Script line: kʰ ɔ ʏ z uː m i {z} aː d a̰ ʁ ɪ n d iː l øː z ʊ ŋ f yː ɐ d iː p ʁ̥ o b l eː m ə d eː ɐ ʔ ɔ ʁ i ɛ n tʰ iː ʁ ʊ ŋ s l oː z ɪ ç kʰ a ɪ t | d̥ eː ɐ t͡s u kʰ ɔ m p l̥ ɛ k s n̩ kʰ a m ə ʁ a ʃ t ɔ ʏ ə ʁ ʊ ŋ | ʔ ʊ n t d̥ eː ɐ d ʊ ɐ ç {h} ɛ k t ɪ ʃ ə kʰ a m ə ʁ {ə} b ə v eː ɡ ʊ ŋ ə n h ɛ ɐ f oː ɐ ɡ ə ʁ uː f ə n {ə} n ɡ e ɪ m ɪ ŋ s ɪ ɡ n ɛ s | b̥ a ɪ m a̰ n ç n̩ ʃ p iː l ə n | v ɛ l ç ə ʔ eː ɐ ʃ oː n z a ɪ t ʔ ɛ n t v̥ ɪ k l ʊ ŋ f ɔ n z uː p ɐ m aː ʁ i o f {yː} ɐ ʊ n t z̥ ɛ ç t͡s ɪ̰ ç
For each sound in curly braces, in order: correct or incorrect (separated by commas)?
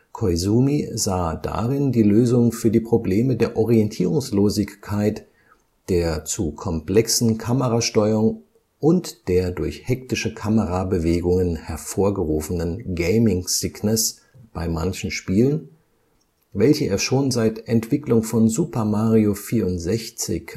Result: correct, correct, incorrect, correct, incorrect